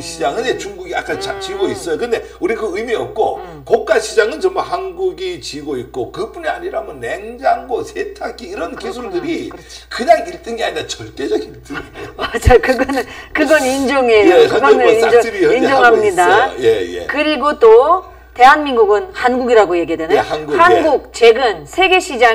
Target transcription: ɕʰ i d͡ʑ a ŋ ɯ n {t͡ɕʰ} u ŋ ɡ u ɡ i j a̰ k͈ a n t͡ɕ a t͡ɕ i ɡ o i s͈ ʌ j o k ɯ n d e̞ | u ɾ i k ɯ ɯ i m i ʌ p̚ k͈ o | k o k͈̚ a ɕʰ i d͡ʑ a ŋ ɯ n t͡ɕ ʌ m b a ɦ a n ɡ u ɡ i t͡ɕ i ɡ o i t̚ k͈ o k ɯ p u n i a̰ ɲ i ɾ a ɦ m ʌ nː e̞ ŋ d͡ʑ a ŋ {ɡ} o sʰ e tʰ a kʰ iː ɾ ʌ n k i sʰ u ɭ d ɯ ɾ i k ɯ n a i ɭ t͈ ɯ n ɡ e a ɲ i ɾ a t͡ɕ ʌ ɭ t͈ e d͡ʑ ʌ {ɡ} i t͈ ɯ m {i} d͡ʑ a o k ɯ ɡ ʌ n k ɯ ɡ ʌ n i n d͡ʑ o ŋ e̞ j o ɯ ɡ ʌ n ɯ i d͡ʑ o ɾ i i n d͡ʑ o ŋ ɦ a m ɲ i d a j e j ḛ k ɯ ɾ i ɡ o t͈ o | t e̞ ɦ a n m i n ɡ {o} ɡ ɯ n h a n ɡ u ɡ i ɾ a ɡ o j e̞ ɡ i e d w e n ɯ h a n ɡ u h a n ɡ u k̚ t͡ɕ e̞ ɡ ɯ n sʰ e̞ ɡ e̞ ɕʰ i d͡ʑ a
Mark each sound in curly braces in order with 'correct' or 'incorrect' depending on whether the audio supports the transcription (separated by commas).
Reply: incorrect, correct, correct, incorrect, incorrect